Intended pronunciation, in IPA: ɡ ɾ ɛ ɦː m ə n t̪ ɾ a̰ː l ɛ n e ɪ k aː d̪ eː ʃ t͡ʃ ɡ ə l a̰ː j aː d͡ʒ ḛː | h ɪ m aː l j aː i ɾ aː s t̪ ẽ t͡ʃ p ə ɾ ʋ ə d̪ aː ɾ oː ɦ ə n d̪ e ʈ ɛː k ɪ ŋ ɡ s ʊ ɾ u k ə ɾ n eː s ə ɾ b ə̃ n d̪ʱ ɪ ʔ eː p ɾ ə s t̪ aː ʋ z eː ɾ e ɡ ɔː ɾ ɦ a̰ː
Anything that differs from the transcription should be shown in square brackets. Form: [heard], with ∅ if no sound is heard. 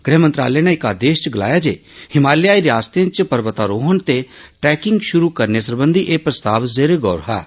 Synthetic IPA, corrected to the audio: ɡ ɾ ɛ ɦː m ə n t̪ ɾ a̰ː l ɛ n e ɪ k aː d̪ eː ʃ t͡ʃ ɡ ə l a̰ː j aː d͡ʒ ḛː | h ɪ m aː l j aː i ɾ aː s t̪ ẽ t͡ʃ p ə ɾ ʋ ə [t̪] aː ɾ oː ɦ ə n [t̪] e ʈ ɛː k ɪ ŋ ɡ [ʃ] ʊ ɾ u k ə ɾ n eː s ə ɾ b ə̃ n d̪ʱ [i] ʔ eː p ɾ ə s t̪ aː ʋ z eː ɾ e ɡ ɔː ɾ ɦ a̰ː